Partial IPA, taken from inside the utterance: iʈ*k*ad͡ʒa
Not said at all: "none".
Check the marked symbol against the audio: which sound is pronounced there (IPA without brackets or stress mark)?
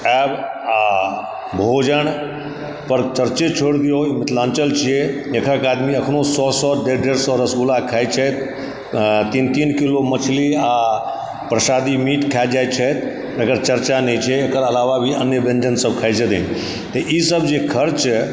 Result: kʰ